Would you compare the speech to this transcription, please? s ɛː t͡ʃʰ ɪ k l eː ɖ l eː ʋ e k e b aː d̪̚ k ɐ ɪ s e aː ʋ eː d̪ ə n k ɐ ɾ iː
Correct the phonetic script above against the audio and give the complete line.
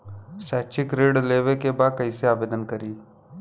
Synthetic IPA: s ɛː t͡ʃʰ ɪ k ɾ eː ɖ l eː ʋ e k e b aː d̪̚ k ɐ i s e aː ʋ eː d̪ ə n k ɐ ɾ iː